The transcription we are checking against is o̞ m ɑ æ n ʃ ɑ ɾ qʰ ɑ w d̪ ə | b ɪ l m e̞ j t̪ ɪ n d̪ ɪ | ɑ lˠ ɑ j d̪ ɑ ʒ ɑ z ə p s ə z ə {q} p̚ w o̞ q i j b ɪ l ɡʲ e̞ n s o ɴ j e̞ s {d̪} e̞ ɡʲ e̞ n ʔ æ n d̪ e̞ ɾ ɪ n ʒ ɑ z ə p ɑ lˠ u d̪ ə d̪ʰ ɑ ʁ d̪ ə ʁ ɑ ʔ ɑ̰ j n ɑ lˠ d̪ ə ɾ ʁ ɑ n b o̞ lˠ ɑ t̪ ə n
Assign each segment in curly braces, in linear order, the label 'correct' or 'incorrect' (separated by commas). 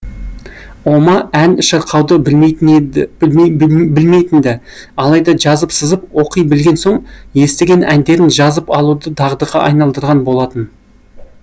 incorrect, incorrect